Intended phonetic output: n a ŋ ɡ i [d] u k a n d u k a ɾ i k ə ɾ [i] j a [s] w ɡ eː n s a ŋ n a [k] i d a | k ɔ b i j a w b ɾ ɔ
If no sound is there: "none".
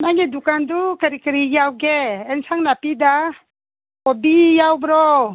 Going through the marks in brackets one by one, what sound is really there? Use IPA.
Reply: d, i, none, p

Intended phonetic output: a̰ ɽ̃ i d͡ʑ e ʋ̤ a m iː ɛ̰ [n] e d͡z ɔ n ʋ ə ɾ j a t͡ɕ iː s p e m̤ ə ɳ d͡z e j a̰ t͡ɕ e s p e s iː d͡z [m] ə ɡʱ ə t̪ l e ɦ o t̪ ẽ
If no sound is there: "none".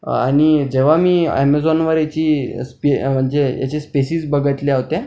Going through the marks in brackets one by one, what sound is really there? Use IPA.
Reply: m, b

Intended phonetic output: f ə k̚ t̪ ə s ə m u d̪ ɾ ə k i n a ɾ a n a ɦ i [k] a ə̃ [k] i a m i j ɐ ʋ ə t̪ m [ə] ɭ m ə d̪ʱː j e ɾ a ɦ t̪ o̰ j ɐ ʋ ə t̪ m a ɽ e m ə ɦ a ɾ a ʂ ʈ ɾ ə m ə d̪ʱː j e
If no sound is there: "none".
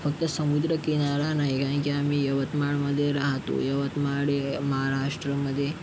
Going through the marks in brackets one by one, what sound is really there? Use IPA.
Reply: k, k, a

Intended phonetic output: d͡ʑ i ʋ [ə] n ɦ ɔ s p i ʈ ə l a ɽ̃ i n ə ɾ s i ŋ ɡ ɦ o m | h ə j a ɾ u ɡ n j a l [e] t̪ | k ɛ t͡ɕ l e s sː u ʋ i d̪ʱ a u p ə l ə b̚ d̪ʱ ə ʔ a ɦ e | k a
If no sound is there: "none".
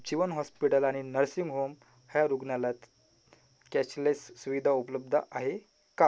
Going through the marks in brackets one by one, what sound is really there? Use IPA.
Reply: ə, a

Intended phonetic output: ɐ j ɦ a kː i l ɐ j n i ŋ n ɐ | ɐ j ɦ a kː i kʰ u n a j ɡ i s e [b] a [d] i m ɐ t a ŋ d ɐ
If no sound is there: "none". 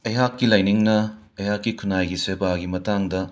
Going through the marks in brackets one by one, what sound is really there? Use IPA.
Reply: b, ɡ

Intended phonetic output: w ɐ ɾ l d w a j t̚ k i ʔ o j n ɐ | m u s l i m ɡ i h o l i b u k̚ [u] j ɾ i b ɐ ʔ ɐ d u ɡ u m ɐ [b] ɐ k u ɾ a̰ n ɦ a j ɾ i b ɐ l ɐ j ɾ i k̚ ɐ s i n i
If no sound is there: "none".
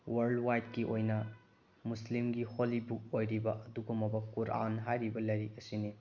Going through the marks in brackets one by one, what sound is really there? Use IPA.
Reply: o, b

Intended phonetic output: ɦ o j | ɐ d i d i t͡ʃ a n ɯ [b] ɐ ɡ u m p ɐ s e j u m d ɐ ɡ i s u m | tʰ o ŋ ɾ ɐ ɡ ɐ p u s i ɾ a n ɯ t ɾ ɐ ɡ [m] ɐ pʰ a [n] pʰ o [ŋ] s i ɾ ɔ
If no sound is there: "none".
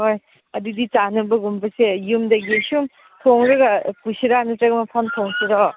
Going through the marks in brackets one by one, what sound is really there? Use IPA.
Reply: b, m, n, ŋ

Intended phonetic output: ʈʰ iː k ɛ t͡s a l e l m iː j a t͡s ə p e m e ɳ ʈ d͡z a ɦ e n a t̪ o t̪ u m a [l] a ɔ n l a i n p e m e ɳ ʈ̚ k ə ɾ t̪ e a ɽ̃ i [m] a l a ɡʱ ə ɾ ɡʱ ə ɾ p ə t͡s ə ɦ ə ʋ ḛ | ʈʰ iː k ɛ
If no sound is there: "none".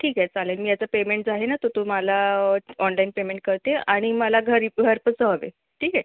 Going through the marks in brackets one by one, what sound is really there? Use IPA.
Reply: l, m

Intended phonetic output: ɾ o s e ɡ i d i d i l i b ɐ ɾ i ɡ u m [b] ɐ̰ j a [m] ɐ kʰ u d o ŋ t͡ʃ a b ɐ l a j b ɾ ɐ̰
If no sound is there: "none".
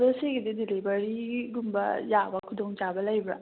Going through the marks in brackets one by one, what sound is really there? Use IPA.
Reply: b, b

